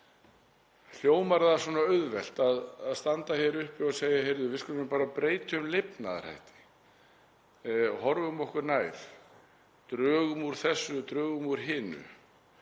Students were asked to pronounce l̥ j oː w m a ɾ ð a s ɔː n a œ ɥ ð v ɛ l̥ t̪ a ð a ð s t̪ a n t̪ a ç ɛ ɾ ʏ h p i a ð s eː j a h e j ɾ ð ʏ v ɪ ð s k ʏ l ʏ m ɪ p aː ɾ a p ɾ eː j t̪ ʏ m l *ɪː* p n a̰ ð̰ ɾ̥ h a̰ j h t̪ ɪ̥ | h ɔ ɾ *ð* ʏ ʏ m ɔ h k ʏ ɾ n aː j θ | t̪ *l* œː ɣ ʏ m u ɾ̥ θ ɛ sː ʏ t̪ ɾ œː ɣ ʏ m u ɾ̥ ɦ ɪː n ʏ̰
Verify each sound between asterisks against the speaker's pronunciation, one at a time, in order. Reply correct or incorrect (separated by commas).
incorrect, incorrect, incorrect